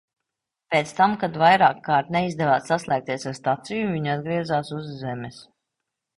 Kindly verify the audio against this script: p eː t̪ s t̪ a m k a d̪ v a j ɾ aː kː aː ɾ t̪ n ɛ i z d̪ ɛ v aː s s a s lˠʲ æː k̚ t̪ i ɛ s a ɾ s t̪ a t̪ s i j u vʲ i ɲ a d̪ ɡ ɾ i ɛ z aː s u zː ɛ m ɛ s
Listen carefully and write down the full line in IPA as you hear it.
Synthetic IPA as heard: p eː t̪ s t̪ a m k a d̪ v a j ɾ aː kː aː ɾ t̪ n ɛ i z d̪ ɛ v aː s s a s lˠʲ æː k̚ t̪ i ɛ s a ɾ s t̪ a t̪ s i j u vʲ i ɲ a d̪ ɡ ɾ i ɛ z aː s u zː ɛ m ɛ s